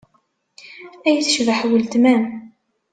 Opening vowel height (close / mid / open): open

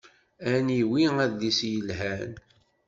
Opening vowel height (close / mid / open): open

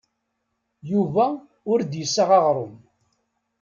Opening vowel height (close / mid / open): close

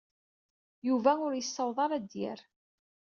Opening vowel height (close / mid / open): close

